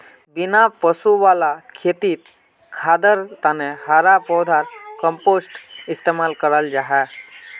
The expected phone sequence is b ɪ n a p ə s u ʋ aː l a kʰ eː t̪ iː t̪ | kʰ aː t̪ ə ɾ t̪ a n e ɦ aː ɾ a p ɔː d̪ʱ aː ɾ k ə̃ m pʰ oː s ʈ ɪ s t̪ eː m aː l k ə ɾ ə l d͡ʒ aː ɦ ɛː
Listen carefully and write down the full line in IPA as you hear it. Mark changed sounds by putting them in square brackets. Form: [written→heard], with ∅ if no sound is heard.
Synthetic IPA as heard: b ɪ n a p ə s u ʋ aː l a kʰ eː t̪ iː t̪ | kʰ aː [t̪→d̪] ə ɾ t̪ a n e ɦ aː ɾ a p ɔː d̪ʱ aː ɾ k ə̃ m [pʰ→p] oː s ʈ ɪ s t̪ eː m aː l k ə ɾ ə l d͡ʒ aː ɦ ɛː

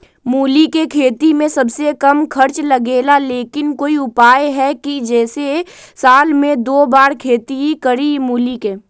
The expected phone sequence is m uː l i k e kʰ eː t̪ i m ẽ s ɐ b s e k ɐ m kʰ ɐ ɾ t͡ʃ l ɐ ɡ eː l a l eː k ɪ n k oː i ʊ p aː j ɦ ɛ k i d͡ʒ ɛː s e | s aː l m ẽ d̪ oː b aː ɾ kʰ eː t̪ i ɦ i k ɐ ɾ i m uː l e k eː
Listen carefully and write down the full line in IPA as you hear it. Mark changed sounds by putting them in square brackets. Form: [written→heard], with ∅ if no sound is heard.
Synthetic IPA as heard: m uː l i k e kʰ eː t̪ i m ẽ s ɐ b s e k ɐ m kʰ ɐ ɾ t͡ʃ l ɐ ɡ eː l a l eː k ɪ n k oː i ʊ p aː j ɦ ɛ k i d͡ʒ ɛː s e | s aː l m ẽ d̪ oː b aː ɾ kʰ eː t̪ i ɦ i k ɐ ɾ i m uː l [e→i] k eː

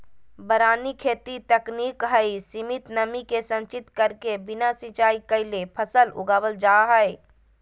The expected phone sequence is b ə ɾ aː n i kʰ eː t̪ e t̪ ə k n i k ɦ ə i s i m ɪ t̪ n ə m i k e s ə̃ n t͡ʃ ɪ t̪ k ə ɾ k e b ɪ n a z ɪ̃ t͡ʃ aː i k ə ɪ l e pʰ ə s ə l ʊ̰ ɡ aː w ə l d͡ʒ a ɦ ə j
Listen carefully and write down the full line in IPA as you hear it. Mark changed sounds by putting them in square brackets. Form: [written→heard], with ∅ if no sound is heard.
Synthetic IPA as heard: b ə ɾ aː n i kʰ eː t̪ [e→i] t̪ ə k n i k ɦ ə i s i m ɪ t̪ n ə m i k e s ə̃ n t͡ʃ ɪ t̪ k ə ɾ k e b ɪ n a [z→s] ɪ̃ t͡ʃ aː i k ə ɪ l e pʰ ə s ə l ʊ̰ ɡ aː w ə l d͡ʒ a ɦ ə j

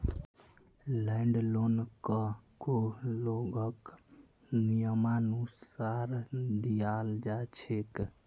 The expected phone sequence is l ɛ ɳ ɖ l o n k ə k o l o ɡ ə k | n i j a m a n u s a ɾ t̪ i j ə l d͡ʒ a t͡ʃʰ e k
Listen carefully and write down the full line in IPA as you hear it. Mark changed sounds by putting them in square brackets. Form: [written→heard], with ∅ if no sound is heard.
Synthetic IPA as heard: l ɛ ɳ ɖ l o n k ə k o l o ɡ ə k | n i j [a→ə] m a n u s a ɾ [t̪→d̪] i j [ə→a] l d͡ʒ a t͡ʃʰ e k

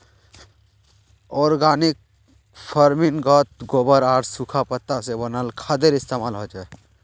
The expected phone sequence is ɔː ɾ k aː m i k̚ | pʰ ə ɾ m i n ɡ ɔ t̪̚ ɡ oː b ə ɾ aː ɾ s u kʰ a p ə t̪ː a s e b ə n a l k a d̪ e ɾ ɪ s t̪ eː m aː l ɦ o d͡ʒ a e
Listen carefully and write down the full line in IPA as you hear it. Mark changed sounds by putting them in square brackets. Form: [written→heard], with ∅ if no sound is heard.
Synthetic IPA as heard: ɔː ɾ [k→ɡ] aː [m→n] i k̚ | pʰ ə ɾ m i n ɡ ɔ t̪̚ ɡ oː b ə ɾ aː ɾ s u kʰ a p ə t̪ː a s e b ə n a l [k→kʰ] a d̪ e ɾ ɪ s t̪ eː m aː l ɦ o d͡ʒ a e

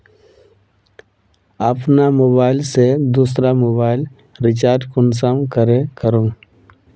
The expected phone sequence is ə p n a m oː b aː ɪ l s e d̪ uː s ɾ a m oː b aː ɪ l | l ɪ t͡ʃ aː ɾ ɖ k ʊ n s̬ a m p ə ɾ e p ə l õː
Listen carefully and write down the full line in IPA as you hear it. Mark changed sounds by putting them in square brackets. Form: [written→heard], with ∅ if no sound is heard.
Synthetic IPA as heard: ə p n a m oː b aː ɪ l s e d̪ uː s ɾ a m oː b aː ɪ l | [l→ɾ] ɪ t͡ʃ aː ɾ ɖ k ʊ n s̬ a m [p→k] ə ɾ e [p→k] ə [l→ɾ] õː

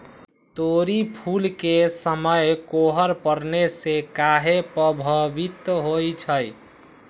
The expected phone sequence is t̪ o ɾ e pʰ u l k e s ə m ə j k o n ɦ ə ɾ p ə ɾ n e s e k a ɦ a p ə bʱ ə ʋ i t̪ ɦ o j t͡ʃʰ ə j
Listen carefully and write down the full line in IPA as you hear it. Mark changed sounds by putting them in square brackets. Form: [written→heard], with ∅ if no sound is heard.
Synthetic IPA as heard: t̪ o ɾ [e→i] pʰ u l k e s ə m ə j k o [n→∅] ɦ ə ɾ p ə ɾ n e s e k a ɦ [a→e] p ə bʱ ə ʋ i t̪ ɦ o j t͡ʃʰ ə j

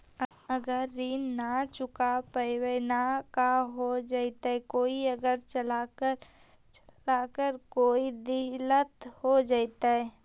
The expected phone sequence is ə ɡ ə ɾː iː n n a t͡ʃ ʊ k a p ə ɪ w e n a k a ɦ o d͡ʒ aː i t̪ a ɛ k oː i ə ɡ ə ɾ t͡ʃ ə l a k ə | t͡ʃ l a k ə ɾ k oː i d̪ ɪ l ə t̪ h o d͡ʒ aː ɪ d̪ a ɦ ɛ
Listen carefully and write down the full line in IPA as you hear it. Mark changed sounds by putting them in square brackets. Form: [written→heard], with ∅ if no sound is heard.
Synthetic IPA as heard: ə ɡ ə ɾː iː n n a t͡ʃ ʊ k a p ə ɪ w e n a k a ɦ o d͡ʒ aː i t̪ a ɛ k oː i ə ɡ ə ɾ t͡ʃ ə l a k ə | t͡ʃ l a k ə ɾ k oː i d̪ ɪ l ə t̪ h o d͡ʒ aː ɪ [d̪→t̪] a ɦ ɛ

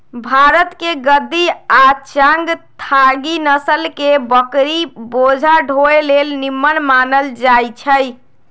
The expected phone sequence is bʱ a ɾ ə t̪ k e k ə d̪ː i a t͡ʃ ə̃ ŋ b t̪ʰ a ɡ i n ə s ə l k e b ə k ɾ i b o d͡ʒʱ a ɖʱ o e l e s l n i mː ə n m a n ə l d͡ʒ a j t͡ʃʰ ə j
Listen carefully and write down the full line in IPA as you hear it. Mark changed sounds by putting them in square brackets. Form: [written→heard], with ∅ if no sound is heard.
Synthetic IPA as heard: bʱ a ɾ ə t̪ k e [k→ɡ] ə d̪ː i a t͡ʃ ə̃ ŋ [b→ɡ] t̪ʰ a ɡ i n ə s ə l k e b ə k ɾ i b o d͡ʒʱ a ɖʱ o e l e [s→∅] l n i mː ə n m a n ə l d͡ʒ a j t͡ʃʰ ə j

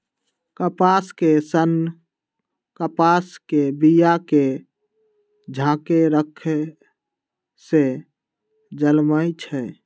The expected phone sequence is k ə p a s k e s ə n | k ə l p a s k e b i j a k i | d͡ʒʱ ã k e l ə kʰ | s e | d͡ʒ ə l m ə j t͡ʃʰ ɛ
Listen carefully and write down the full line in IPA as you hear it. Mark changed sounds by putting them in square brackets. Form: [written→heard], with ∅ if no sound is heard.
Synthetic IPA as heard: k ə p a s k e s ə n | k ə [l→∅] p a s k e b i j a k [i→e] | d͡ʒʱ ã k e [l→ɾ] ə kʰ | s e | d͡ʒ ə l m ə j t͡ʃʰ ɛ

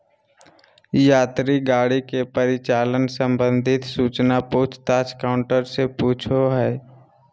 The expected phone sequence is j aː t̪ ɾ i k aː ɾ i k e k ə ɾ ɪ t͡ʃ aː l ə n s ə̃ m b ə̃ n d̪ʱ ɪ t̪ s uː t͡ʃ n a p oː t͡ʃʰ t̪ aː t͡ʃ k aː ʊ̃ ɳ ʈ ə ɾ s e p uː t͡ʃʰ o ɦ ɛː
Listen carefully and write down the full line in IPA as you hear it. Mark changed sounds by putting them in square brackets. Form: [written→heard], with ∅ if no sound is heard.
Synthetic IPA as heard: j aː t̪ ɾ i [k→ɡ] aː [ɾ→ɽ] i k e [k→p] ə ɾ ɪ t͡ʃ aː l ə n s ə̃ m b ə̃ n d̪ʱ ɪ t̪ s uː t͡ʃ n a p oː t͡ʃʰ t̪ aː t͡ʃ k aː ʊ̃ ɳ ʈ ə ɾ s e p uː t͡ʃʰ o ɦ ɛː

